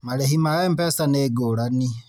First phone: m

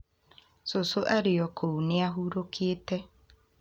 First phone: s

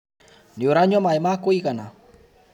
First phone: n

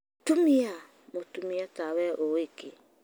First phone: t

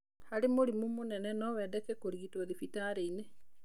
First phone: h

